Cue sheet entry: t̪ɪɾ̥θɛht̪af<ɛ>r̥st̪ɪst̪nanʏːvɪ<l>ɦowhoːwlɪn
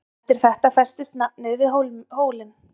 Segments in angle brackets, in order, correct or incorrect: correct, incorrect

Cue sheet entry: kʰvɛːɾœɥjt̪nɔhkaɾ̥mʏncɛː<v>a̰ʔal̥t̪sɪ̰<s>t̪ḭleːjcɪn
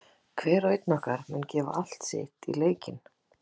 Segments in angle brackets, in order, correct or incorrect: correct, incorrect

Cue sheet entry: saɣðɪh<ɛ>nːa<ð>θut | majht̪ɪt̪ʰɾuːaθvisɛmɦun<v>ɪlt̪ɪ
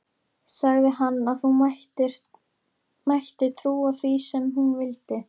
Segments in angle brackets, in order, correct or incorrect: incorrect, correct, correct

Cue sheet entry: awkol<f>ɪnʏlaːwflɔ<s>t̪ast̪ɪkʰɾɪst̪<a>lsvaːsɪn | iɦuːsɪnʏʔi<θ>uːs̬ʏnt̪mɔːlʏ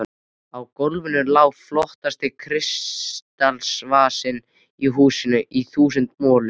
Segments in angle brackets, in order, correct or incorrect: incorrect, incorrect, correct, correct

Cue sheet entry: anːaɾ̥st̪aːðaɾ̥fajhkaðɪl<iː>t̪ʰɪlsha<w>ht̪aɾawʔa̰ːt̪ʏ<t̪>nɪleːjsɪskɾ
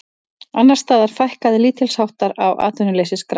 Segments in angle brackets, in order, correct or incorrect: correct, correct, incorrect

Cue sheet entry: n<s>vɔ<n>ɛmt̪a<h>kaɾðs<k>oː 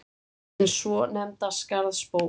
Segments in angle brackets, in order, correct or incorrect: correct, correct, incorrect, incorrect

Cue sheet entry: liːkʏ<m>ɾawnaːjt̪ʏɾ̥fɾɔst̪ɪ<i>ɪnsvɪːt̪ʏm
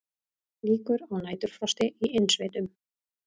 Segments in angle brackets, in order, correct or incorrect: incorrect, correct

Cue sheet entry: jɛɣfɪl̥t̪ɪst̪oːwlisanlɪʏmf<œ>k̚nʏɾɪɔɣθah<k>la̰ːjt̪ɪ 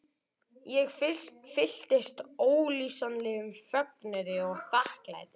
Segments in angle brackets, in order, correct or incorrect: correct, correct

